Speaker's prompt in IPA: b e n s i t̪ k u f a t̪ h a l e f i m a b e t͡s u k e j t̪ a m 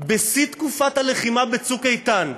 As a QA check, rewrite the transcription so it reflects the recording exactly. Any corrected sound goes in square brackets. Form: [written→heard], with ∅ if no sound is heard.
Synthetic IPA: b e [n→∅] s i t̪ k u f a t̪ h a l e [f→χ] i m a b e t͡s u k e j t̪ a [m→n]